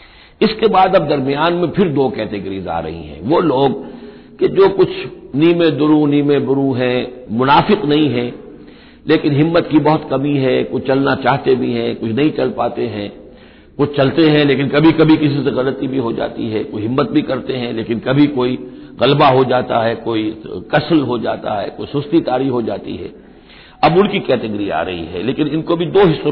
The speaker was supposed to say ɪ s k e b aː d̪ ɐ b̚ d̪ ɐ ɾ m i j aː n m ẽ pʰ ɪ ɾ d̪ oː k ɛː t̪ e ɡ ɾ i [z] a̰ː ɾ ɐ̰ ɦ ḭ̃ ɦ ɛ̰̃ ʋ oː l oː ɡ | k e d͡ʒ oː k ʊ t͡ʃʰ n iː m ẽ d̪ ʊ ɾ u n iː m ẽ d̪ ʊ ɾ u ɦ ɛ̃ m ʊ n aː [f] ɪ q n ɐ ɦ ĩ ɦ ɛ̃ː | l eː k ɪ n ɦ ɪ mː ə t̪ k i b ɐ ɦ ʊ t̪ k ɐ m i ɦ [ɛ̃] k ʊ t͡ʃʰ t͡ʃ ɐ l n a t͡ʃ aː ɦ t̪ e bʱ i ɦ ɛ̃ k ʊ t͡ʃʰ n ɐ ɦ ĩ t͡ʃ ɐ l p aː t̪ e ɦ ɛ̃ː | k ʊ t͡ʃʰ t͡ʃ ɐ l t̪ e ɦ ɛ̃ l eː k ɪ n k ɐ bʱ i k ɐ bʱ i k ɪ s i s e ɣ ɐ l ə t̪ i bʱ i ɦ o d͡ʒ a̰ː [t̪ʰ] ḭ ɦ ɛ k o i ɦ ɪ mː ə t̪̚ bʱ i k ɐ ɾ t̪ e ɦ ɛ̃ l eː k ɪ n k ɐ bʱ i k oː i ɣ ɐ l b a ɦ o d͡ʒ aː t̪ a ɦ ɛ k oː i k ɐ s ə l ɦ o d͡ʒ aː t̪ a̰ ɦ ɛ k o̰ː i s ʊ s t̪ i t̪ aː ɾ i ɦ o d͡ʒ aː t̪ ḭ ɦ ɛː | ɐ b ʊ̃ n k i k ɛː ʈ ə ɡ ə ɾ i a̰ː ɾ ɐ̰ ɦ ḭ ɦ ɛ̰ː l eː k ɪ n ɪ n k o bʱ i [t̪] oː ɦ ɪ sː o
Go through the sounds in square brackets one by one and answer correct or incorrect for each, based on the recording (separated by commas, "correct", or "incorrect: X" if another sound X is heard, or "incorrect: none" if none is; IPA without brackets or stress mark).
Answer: correct, correct, incorrect: ɛ, incorrect: t̪, incorrect: d̪